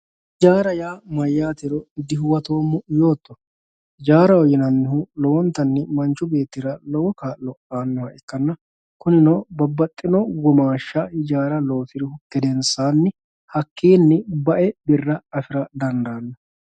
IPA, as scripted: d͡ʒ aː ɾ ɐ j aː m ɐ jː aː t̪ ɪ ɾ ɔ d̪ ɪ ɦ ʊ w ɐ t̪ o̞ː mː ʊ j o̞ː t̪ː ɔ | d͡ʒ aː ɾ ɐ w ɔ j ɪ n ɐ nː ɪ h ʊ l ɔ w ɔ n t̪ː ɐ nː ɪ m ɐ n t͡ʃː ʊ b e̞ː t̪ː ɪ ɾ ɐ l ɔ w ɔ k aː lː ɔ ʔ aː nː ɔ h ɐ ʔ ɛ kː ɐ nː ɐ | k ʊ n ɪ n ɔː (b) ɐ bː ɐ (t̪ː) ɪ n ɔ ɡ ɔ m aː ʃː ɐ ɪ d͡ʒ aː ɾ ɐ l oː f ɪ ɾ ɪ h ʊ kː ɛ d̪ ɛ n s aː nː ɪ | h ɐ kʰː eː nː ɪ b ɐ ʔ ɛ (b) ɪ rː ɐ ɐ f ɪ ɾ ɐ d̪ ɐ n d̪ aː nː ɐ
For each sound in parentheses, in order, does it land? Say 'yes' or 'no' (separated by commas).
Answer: yes, no, yes